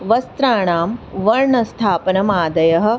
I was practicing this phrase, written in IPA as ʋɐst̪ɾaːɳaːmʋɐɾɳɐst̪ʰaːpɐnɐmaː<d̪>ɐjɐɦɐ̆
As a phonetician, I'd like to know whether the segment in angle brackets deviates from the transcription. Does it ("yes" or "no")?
no